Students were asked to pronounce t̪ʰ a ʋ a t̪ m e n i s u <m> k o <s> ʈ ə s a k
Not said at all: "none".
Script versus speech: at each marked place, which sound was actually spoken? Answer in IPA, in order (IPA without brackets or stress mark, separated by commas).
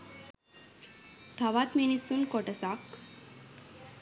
n, none